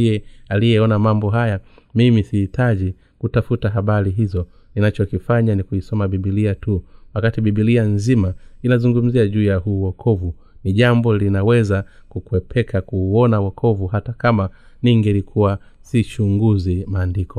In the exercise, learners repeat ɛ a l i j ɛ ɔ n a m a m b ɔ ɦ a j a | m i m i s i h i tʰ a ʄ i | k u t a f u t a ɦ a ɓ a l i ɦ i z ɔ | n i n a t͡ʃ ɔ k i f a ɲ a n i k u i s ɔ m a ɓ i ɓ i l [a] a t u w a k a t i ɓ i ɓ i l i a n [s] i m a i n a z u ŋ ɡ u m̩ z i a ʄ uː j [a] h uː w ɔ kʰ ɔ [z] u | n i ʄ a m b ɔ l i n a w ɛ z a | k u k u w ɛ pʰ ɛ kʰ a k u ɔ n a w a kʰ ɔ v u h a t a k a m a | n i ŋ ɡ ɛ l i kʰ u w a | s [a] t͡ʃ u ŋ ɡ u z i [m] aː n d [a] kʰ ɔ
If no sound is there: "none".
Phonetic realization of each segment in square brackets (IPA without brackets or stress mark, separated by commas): i, z, a, v, i, m, i